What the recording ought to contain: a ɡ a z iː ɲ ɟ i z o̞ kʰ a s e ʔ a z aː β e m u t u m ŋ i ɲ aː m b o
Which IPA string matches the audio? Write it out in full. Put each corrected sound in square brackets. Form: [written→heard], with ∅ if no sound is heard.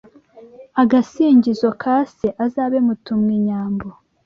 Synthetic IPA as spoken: a ɡ a [z→s] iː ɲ ɟ i z o̞ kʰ a s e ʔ a z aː β e m u t u m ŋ i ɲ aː m b o